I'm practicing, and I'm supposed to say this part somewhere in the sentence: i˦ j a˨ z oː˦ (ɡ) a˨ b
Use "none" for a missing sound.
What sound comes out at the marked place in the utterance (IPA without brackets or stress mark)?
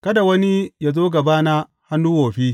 ɡ